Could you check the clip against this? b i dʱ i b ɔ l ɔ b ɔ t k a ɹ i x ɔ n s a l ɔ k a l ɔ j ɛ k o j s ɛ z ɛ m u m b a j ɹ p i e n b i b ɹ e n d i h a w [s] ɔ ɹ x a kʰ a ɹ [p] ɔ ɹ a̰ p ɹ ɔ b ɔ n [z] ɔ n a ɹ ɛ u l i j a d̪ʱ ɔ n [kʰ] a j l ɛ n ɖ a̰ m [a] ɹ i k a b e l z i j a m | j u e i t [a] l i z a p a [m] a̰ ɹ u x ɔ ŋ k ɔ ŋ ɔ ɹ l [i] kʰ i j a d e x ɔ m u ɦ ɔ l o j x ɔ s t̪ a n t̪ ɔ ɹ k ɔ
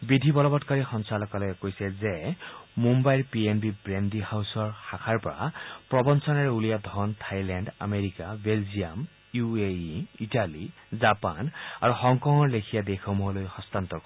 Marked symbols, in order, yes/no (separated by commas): yes, yes, no, no, no, yes, no, no